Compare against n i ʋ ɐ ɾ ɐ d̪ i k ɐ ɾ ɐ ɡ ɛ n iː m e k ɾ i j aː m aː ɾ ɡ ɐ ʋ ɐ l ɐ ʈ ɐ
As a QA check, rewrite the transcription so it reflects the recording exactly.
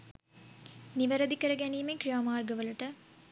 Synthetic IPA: n i ʋ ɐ ɾ ɐ d̪ i k ɐ ɾ ɐ ɡ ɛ n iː m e k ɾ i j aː m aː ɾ ɡ ɐ ʋ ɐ l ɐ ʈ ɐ